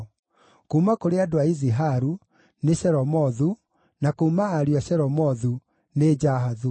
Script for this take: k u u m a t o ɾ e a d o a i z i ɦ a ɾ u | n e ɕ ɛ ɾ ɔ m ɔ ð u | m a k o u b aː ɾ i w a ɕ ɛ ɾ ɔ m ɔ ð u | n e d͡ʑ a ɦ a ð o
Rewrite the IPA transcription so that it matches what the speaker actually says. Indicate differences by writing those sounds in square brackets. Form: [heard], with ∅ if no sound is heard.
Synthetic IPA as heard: k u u m a [k] o ɾ e a d o a i z i ɦ a ɾ u | n e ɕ ɛ ɾ ɔ m ɔ ð u | [n] a k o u [m] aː ɾ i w a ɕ ɛ ɾ ɔ m ɔ ð u | n e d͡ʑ a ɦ a ð [u]

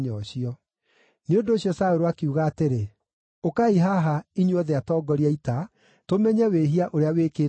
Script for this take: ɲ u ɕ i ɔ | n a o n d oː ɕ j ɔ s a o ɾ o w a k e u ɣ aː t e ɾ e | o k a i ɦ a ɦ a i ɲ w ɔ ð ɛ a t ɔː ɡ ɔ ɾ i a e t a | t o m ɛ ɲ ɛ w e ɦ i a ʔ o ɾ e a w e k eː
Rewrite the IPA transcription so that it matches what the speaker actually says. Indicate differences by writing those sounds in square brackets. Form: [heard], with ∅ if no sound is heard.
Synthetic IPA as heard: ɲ [ɔ] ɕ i ɔ | n [e] o n d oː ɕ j ɔ s a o ɾ o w a k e u ɣ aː t e ɾ e | o k a i ɦ a ɦ a i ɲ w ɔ ð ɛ a t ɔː ɡ ɔ ɾ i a [i] t a | t o m ɛ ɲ ɛ w e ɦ i a ʔ o ɾ e a w e k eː

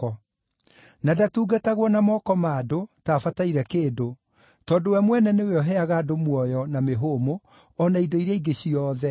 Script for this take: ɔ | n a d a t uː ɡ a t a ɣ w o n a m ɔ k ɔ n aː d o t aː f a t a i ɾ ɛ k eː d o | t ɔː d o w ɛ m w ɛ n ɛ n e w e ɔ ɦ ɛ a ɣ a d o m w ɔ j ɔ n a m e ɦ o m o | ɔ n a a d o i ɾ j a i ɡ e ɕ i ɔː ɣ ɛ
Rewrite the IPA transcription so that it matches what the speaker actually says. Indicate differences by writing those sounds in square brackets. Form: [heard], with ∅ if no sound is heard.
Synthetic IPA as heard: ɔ | n a d a t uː ɡ a t a ɣ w [ɔ] n a m ɔ k ɔ [m] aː d o t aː f a t a i ɾ ɛ k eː d o | t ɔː d o w ɛ m w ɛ n ɛ n e w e ɔ ɦ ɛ a ɣ a d o m w ɔ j ɔ n a m e ɦ o m o | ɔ n a [i] d o i ɾ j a i ɡ e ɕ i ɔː [ð] ɛ

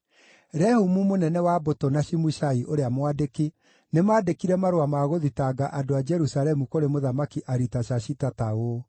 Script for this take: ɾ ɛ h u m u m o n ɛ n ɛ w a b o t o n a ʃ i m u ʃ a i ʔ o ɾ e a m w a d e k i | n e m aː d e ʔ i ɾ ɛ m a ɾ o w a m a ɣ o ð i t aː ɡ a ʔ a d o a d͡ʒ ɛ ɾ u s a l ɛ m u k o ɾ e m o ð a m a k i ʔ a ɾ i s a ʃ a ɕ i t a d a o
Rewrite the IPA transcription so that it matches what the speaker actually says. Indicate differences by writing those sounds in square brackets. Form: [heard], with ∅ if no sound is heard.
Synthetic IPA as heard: ɾ ɛ h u m u m o n ɛ n ɛ w a b o t o n a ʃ i m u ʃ a i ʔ o ɾ e a m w a d e k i | n e m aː d e [k] i ɾ ɛ m a ɾ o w a m a ɣ o ð i t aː ɡ a ʔ a d o a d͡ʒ ɛ ɾ u s a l ɛ m u k o ɾ e m o ð a m a k i ʔ a ɾ i [t] a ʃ a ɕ i t a [t] a o

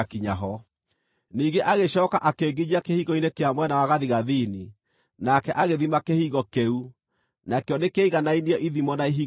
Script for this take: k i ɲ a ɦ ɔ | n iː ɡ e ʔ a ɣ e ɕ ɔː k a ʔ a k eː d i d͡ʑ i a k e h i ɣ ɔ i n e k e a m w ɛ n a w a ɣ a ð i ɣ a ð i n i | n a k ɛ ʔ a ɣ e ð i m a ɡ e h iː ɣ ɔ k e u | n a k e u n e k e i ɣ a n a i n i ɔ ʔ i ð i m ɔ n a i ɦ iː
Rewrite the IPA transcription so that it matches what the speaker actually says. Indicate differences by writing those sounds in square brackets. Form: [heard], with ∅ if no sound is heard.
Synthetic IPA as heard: k i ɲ a ɦ ɔ | n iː ɡ e ʔ a ɣ e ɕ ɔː k a ʔ a k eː [ɡ] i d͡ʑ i a k e h i ɣ ɔ i n e k e a m w ɛ n a w a ɣ a ð i ɣ a ð i n i | n a k ɛ ʔ a ɣ e ð i m a [k] e h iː ɣ ɔ k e u | n a k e [ɔ] n e k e i ɣ a n a i n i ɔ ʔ i ð i m ɔ n a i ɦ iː

